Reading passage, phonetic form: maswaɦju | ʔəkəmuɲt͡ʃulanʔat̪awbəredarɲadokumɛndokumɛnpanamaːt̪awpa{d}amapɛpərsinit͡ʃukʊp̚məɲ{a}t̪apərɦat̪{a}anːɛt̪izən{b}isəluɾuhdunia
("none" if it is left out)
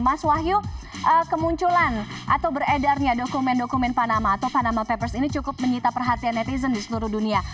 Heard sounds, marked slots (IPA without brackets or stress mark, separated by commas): n, i, i, d